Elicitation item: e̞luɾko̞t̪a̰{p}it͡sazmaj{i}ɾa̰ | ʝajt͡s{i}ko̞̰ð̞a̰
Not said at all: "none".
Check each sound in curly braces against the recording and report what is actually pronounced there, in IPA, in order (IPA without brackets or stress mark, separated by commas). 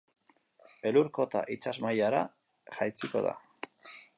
ʔ, a, i